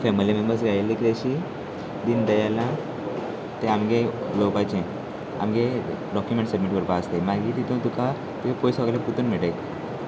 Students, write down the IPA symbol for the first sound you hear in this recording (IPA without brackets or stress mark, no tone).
f